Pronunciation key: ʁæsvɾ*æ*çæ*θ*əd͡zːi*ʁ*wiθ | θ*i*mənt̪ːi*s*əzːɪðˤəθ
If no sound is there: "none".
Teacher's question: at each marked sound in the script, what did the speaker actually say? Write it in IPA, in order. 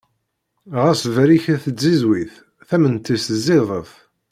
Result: i, θ, z, æ, s

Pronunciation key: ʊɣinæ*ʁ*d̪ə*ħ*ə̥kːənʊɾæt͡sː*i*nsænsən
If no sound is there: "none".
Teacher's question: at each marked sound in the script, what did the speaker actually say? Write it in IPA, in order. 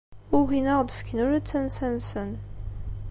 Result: ʁ, f, æ

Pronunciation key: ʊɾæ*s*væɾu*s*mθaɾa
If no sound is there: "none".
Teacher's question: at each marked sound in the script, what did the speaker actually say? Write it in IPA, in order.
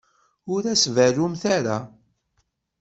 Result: s, none

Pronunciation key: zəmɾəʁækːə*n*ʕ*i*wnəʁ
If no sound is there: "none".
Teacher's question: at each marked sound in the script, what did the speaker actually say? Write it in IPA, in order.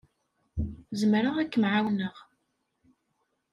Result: m, a

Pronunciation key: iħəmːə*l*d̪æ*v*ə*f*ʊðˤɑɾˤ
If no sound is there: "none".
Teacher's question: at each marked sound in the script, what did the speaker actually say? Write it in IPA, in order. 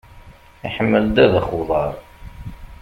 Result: l, ð, χ

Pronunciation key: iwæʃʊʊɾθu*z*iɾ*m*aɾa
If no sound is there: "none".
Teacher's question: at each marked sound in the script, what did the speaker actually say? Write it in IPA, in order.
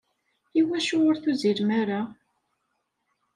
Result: z, m

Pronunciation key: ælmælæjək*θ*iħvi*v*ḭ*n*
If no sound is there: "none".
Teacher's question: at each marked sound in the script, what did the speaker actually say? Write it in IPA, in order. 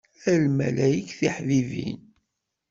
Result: θ, v, n

